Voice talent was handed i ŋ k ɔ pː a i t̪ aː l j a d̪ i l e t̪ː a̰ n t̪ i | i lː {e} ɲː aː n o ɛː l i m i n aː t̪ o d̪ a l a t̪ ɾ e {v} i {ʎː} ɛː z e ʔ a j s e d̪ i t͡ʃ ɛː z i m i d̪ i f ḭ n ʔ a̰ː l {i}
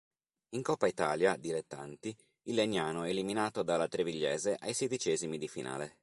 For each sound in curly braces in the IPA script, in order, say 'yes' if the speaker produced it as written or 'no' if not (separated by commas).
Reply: yes, yes, yes, no